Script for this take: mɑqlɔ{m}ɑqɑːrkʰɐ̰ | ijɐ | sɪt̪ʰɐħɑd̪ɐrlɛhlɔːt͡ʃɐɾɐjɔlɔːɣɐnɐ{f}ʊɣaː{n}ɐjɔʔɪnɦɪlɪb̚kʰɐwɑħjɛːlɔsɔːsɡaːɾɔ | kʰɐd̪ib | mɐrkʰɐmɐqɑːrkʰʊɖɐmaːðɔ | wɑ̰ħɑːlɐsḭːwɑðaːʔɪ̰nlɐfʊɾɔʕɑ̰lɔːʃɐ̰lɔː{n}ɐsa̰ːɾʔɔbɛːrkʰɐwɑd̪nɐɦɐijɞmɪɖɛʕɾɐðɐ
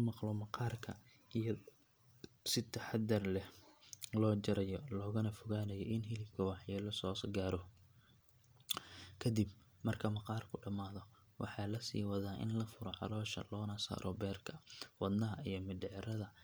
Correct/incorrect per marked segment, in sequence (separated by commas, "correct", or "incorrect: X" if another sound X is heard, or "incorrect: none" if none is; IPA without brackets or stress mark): correct, correct, correct, correct